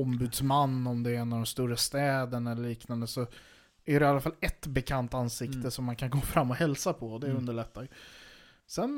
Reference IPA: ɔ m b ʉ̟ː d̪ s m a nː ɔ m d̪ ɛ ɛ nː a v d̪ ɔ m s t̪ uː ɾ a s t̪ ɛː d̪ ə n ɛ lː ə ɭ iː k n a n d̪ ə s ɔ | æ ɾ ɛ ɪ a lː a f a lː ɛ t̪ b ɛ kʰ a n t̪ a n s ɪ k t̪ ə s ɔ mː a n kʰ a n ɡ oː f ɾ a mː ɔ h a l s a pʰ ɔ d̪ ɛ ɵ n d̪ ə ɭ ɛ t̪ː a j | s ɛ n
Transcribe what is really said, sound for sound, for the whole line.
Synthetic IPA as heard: ɔ m b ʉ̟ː d̪ s m a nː ɔ m d̪ ɛ ɛ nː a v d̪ ɔ m s t̪ uː ɾ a s t̪ ɛː d̪ ə n ɛ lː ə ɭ iː k n a n d̪ ə s ɔ | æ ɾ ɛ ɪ a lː a f a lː ɛ t̪ b ɛ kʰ a n t̪ a n s ɪ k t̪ ə s ɔ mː a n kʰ a n ɡ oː f ɾ a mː ɔ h ɛ l s a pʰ ɔ d̪ ɛ ɵ n d̪ ə ɭ ɛ t̪ː a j | s ɛ n